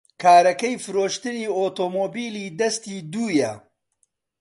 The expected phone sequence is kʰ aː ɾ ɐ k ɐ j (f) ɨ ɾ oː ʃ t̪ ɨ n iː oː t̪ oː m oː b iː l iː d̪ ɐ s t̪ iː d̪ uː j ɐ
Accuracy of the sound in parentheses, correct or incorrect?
correct